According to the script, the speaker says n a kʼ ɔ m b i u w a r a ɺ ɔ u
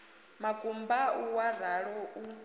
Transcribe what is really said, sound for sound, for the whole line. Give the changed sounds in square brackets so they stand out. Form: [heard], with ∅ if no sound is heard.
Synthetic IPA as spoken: [m] a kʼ [u] m b [a] u w a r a ɺ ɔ u